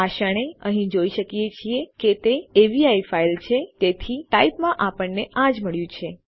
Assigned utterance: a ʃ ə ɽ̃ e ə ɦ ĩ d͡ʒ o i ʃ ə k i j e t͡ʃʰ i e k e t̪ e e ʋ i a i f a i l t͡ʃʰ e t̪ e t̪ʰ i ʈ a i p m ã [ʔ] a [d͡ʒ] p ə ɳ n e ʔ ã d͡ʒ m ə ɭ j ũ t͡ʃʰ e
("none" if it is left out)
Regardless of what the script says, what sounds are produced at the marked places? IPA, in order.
ʔ, none

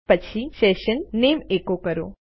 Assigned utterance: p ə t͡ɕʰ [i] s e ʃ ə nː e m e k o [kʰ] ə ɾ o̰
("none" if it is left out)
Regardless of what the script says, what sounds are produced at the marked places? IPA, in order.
i, k

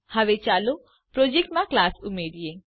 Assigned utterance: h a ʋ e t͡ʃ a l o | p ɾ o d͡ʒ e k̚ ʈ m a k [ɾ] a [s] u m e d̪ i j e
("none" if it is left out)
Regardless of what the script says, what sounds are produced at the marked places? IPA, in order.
l, s

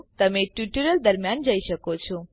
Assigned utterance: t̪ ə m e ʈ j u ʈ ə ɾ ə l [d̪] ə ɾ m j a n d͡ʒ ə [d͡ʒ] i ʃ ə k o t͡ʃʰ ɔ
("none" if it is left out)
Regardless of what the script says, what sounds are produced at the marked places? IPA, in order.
d̪, none

